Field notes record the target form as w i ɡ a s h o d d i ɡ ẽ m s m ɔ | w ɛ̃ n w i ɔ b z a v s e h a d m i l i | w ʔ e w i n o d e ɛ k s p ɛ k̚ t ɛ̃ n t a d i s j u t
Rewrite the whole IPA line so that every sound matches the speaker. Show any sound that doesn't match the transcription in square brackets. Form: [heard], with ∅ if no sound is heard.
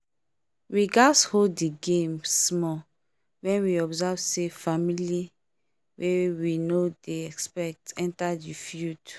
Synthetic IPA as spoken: w i ɡ a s h o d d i ɡ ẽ m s m ɔ | w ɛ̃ n w i ɔ b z a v s e [f] a [∅] m i l i | w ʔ e w i n o d e ɛ k s p ɛ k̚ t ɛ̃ n t a d i [f] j u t